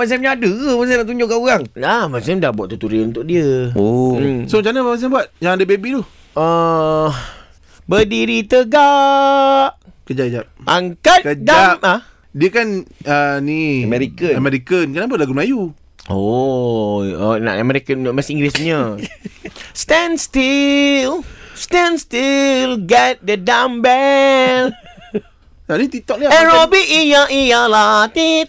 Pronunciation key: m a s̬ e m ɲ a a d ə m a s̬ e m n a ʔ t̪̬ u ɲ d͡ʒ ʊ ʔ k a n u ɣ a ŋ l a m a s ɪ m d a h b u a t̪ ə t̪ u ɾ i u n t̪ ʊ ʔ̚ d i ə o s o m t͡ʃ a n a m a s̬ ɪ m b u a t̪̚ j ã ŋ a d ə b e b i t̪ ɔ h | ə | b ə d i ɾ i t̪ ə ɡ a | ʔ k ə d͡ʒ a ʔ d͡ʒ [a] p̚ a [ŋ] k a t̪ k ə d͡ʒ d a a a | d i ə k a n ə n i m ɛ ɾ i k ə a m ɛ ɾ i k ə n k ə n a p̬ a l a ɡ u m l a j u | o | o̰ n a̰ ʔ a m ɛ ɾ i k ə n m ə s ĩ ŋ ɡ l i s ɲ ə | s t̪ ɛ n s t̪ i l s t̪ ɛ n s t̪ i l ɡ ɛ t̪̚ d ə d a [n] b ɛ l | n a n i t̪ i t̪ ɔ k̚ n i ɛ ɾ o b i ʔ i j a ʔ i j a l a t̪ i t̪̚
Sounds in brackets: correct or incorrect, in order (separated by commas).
correct, correct, incorrect